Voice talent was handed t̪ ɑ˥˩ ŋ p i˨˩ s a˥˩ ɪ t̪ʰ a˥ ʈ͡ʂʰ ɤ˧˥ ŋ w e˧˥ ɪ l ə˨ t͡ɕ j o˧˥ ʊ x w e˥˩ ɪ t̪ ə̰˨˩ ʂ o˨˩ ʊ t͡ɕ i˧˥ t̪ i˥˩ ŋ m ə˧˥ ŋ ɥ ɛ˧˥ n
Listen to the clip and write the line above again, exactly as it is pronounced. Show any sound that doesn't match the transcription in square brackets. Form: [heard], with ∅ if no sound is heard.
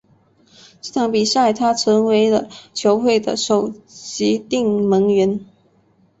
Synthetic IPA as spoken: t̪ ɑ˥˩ ŋ p i˨˩ s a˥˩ ɪ t̪ʰ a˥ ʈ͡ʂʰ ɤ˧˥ ŋ w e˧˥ ɪ l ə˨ [t͡ɕʰ] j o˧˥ ʊ x w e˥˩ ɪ [d̪] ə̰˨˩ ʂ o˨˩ ʊ t͡ɕ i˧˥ t̪ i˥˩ ŋ m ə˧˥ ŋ ɥ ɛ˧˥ n